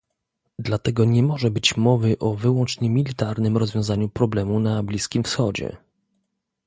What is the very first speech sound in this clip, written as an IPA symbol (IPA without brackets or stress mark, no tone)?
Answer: d̪